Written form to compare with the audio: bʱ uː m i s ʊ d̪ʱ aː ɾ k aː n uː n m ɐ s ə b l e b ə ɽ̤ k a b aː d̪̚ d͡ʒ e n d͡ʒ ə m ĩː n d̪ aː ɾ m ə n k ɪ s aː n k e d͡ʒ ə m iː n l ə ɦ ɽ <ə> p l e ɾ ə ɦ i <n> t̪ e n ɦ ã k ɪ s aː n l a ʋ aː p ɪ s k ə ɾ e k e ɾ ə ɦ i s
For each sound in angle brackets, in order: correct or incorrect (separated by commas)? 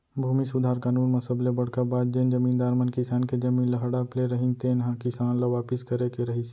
incorrect, correct